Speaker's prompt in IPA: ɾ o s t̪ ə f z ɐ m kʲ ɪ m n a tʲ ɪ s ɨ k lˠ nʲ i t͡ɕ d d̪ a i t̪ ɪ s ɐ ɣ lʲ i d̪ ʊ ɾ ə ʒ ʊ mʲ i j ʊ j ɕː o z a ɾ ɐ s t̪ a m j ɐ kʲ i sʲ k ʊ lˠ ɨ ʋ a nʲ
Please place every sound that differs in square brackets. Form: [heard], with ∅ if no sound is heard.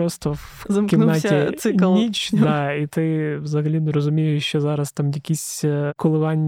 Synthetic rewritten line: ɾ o s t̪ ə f z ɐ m kʲ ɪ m n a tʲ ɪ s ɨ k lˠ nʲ i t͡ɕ d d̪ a i t̪ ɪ [z] ɐ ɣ lʲ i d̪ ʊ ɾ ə [z] ʊ mʲ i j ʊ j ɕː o z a ɾ ɐ s t̪ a m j ɐ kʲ i sʲ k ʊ lˠ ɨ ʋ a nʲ